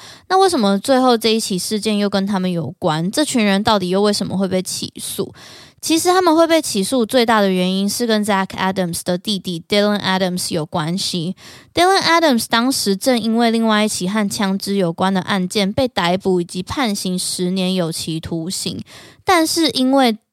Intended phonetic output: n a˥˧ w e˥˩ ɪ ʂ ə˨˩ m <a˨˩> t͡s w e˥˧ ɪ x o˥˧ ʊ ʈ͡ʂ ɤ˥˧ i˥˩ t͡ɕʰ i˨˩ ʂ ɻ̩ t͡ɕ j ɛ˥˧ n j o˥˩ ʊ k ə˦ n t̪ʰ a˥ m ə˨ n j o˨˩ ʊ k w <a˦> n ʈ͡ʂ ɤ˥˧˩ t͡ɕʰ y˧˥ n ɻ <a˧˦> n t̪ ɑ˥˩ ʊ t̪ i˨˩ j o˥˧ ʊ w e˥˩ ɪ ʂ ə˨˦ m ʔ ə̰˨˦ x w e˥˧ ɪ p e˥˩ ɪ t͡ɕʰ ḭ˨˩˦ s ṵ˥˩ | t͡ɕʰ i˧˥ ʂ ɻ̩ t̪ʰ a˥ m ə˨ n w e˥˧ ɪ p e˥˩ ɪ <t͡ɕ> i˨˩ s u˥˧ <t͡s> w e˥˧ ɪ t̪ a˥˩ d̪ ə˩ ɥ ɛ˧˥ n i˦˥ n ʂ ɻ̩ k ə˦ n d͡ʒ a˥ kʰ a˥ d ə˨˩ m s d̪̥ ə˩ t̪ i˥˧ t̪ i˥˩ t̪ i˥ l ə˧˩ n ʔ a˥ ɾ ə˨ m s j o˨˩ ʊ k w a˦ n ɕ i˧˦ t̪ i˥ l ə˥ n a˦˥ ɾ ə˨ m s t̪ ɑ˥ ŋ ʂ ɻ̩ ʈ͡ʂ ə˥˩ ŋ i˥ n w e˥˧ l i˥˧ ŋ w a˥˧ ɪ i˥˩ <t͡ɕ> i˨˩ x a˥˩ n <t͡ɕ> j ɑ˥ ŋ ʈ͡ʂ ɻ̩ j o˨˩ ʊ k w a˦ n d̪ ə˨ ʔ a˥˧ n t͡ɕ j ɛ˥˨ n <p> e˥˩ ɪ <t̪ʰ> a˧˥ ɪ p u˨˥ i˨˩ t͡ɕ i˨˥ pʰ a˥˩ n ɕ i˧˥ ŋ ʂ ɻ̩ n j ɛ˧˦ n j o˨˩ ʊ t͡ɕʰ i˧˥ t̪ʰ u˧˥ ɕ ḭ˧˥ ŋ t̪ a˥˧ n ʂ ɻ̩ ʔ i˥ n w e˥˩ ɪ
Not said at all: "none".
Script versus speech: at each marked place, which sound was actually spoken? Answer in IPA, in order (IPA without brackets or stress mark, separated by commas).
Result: ə˨˩, a˦, ə˧˦, t͡ɕʰ, t͡s, t͡ɕʰ, t͡ɕʰ, p, t̪